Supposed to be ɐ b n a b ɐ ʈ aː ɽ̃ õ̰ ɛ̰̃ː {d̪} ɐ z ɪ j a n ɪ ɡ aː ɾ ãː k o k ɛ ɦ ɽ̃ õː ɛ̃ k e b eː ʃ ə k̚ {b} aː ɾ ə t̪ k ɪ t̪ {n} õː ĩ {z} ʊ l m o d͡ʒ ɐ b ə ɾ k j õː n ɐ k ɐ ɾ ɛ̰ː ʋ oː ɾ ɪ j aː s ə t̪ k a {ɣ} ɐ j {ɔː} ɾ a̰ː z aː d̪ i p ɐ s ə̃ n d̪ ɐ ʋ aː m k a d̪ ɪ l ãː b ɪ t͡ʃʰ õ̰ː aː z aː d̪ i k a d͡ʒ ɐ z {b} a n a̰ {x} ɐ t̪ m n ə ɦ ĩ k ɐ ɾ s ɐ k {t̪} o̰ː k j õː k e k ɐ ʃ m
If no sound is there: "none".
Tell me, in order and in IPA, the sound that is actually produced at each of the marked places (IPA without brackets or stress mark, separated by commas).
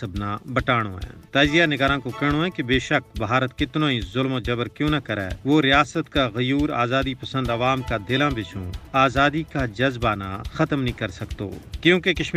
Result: t̪, b, n, z, ɣ, uː, b, x, t̪